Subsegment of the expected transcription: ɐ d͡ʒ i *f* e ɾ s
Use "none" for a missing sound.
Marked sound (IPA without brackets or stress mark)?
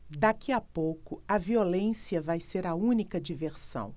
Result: v